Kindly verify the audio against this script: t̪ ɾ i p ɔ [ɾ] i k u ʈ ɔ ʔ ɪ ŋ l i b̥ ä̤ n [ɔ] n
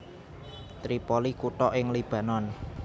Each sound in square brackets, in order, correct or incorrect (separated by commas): incorrect, correct